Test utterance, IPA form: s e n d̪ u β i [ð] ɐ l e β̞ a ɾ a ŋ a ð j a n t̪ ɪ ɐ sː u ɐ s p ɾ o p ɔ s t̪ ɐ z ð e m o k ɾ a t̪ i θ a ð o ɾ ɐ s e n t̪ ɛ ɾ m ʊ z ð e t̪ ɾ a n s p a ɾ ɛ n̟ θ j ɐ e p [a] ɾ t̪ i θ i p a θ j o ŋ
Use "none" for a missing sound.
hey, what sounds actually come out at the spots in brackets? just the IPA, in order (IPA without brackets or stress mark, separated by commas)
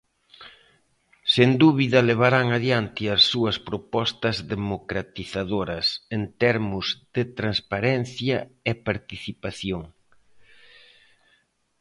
ð, a